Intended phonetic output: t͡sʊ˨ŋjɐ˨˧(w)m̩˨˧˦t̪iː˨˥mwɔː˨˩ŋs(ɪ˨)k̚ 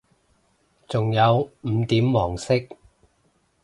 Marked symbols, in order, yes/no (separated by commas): yes, no